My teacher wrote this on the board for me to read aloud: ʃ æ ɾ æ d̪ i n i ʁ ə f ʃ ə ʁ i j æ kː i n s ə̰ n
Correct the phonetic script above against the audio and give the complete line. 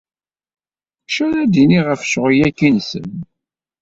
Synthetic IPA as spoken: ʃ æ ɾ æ d̪ i n i ʁ ə f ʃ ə ʁ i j æ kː i n s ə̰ n